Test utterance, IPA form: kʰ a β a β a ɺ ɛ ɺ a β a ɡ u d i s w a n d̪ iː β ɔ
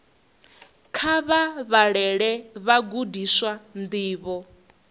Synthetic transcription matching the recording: kʰ a β a β a ɺ ɛ ɺ ɛ β a ɡ u d i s w a n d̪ iː β ɔ